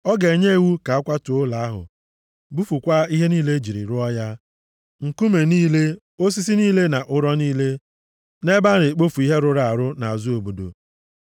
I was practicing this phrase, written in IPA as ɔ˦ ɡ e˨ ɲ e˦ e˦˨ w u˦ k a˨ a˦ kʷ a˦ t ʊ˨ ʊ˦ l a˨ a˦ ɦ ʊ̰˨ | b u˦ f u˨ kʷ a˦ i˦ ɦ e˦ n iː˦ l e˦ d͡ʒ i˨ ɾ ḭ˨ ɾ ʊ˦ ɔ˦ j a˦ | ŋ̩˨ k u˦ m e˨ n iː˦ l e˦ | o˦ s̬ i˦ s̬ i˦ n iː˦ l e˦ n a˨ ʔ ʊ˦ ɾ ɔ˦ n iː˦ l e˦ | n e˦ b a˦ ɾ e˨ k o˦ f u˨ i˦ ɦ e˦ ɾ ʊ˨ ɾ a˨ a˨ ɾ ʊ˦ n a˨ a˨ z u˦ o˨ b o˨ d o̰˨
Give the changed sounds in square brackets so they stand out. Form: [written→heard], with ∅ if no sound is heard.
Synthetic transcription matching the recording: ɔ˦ ɡ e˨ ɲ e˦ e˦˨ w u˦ k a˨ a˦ kʷ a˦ t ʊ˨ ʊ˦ l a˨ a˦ ɦ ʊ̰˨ | b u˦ f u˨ kʷ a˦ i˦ ɦ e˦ n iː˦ l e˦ d͡ʒ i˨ ɾ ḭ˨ ɾ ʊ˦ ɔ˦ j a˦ | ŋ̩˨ k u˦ m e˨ n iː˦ l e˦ | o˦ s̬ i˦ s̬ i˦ n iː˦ l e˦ n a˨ ʔ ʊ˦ ɾ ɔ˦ n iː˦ l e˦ | n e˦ b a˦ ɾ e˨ [k→k͡p] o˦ f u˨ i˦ ɦ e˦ ɾ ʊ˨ ɾ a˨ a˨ ɾ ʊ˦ n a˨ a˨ z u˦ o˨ b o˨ d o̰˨